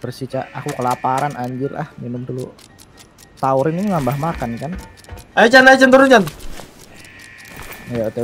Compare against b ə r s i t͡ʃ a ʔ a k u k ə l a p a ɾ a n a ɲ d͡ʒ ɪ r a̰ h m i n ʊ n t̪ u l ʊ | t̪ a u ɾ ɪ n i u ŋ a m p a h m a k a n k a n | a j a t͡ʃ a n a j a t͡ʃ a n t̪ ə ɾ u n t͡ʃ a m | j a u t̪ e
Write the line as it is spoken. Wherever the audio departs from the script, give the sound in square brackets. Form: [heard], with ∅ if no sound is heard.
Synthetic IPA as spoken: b ə r s i t͡ʃ a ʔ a k u k ə l a p a ɾ a n a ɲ d͡ʒ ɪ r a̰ h m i n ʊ [m] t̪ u l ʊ | t̪ a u ɾ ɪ n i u ŋ a m [b] a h m a k a n k a n | a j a t͡ʃ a n a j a t͡ʃ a n t̪ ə ɾ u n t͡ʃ a [n] | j a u t̪ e

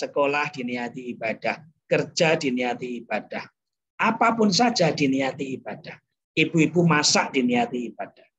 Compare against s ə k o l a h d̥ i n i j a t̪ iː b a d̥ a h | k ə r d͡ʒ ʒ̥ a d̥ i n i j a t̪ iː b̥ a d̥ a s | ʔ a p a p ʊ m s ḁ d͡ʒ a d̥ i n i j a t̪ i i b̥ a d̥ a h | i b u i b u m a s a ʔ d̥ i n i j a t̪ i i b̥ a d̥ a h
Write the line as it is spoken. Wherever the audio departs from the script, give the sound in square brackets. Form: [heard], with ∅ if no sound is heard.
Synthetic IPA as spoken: s ə k o l a h d̥ i n i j a t̪ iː b a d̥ a h | k ə r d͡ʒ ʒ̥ a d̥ i n i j a t̪ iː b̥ a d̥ a [h] | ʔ a p a p ʊ [n] s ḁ d͡ʒ a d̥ i n i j a t̪ i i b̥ a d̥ a h | i b u i b u m a s a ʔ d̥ i n i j a t̪ i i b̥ a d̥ a h

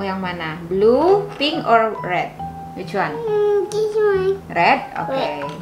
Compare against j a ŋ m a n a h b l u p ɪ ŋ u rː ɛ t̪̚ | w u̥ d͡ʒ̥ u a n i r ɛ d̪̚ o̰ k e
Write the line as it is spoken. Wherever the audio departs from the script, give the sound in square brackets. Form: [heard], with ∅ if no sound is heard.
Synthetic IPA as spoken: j a ŋ m a n a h b l u p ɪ ŋ [ɔ] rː ɛ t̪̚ | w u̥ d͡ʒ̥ u a n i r ɛ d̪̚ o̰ k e

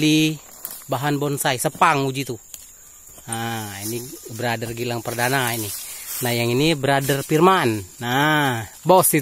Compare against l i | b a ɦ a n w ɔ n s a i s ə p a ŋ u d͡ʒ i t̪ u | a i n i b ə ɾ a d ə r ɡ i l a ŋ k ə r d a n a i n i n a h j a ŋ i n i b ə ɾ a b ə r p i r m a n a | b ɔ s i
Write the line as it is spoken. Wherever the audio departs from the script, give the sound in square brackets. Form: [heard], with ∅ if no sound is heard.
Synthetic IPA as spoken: l i | b a ɦ a n [b] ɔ n s a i s ə p a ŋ u d͡ʒ i t̪ u | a i n i b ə ɾ a d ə r ɡ i l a ŋ [p] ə r d a n a i n i n a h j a ŋ i n i b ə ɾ a [d] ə r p i r m a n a | b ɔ s i

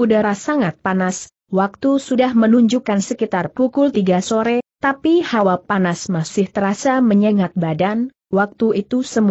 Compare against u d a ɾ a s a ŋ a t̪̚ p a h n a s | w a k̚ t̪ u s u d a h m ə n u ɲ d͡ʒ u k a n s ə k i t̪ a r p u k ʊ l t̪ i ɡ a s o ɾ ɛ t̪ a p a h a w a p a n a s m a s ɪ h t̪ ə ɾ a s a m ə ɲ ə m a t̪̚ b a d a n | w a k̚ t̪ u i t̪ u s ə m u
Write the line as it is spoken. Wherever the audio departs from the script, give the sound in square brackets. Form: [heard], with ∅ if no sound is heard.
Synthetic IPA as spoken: u d a ɾ a s a ŋ a t̪̚ p a [∅] n a s | w a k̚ t̪ u s u d a h m ə n u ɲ d͡ʒ u k a n s ə k i t̪ a r p u k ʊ l t̪ i ɡ a s o ɾ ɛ t̪ a p [i] h a w a p a n a s m a s ɪ h t̪ ə ɾ a s a m ə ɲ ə [ŋ] a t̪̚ b a d a n | w a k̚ t̪ u i t̪ u s ə m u

